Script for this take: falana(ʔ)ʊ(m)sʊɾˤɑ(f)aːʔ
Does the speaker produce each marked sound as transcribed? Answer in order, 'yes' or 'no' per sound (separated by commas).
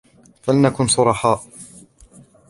no, no, no